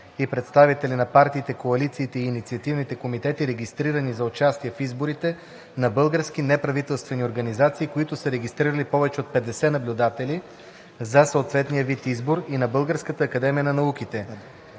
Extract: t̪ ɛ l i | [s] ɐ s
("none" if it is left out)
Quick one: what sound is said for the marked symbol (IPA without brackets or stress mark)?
z